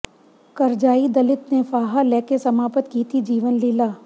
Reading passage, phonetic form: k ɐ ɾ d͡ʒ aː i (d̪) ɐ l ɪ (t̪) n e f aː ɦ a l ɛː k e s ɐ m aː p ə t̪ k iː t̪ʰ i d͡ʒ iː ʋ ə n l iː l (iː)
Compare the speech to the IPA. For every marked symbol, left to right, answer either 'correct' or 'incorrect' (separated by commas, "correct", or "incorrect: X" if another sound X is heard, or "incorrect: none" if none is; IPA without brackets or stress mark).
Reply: correct, correct, incorrect: aː